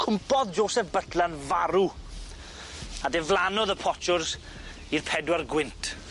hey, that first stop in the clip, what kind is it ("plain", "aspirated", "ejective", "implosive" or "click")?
aspirated